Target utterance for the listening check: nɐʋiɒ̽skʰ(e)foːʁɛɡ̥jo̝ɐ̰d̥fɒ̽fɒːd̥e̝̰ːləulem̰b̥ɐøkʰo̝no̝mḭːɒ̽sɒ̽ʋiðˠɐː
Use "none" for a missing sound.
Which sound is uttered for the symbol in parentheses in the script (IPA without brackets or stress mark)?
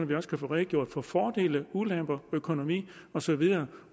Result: æ